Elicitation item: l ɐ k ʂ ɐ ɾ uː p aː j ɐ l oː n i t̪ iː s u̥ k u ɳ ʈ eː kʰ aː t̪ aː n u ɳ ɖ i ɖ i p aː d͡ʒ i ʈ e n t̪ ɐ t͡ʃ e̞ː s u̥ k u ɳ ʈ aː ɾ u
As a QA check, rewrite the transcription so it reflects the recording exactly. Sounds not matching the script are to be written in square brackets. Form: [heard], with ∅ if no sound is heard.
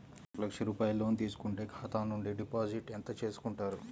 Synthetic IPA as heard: l ɐ k ʂ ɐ ɾ uː p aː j ɐ l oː n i t̪ iː s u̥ k u ɳ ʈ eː kʰ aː t̪ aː n u ɳ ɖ i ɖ i p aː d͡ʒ i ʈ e n t̪ ɐ t͡ʃ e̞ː s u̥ k u ɳ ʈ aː ɾ u